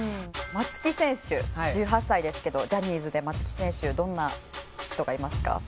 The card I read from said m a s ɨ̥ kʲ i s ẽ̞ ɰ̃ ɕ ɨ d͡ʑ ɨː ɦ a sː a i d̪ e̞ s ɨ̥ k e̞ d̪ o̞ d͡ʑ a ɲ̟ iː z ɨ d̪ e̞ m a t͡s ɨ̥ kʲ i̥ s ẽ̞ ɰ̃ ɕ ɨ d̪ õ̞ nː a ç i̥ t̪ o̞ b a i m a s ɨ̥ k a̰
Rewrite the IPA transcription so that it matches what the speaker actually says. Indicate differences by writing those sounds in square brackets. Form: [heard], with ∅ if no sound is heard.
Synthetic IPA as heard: m a [t͡s] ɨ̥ kʲ i s ẽ̞ ɰ̃ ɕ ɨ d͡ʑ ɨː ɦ a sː a i d̪ e̞ s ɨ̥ k e̞ d̪ o̞ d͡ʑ a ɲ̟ iː z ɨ d̪ e̞ m a t͡s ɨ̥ kʲ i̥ s ẽ̞ ɰ̃ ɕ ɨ d̪ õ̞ nː a ç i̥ t̪ o̞ [ɡ] a i m a s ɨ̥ k a̰